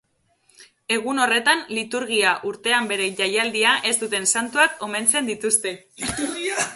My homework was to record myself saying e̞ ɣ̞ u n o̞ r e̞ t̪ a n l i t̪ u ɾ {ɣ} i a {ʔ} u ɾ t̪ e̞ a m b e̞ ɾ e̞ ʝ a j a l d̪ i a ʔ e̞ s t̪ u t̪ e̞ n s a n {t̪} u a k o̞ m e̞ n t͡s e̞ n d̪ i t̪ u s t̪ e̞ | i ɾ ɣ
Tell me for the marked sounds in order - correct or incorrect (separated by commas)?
correct, correct, correct